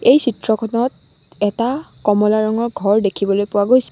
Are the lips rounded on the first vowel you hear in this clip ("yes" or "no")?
no